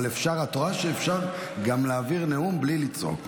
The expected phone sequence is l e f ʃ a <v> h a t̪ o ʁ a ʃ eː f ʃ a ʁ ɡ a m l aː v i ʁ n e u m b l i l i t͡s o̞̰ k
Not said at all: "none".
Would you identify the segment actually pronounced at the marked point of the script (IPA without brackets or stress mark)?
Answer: ʁ